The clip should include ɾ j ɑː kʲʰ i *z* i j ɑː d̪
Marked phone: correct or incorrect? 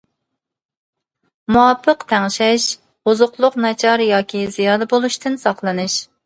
correct